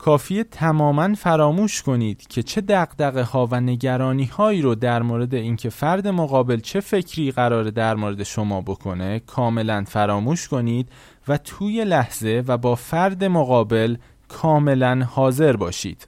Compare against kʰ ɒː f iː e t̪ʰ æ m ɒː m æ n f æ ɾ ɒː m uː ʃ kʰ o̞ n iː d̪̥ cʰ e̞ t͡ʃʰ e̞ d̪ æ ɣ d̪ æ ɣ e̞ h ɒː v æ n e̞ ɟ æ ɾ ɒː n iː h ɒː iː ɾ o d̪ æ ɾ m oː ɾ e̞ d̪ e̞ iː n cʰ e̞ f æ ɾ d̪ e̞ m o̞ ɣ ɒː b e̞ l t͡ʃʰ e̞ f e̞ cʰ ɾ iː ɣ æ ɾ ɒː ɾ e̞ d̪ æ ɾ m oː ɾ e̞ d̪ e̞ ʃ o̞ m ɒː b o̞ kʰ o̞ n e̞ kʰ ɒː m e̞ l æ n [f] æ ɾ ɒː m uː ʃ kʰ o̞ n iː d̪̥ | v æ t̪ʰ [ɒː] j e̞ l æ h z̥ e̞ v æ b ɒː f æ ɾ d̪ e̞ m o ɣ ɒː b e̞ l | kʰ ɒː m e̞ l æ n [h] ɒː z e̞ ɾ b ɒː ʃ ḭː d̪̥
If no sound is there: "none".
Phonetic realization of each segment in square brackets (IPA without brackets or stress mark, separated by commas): f, uː, h